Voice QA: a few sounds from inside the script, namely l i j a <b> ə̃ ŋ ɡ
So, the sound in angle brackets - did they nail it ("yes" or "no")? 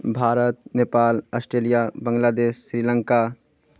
yes